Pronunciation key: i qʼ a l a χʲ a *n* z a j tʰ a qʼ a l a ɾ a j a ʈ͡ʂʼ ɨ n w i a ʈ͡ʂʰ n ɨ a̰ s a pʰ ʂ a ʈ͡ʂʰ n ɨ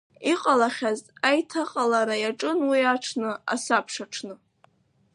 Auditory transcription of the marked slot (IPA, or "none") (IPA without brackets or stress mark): none